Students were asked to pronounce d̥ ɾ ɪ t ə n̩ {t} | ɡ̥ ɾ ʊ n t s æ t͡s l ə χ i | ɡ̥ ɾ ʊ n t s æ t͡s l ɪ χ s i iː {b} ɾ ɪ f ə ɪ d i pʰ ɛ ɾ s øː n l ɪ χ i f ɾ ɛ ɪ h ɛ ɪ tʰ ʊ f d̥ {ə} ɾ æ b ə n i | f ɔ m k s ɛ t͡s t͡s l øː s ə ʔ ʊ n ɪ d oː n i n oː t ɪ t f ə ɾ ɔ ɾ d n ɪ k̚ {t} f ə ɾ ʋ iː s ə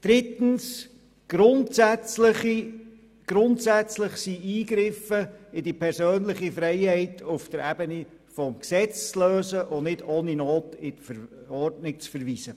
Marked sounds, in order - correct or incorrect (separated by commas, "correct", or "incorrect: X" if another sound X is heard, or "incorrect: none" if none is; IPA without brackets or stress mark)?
incorrect: s, incorrect: ɡ, correct, incorrect: t͡s